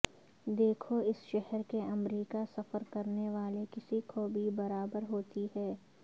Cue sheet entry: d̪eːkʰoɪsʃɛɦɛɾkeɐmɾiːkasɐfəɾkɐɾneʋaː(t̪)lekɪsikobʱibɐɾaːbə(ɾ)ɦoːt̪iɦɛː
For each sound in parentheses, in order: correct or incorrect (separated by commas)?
incorrect, correct